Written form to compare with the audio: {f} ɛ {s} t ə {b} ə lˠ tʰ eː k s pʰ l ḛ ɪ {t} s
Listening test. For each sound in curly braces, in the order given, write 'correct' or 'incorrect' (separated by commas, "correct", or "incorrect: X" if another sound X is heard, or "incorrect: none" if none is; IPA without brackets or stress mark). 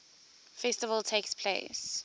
correct, correct, incorrect: v, incorrect: none